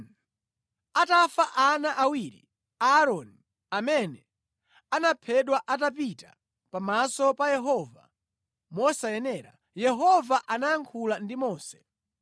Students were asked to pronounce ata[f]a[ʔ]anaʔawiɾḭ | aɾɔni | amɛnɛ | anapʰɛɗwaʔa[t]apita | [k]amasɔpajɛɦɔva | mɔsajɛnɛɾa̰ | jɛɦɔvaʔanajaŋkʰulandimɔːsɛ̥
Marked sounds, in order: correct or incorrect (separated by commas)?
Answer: correct, correct, correct, incorrect